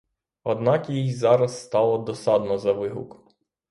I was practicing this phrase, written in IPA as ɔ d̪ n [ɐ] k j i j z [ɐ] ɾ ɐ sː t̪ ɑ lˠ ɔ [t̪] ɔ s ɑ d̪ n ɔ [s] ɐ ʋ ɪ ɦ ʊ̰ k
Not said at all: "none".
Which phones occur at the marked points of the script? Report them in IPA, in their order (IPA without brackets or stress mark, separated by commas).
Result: ɑ, ɑ, d̪, z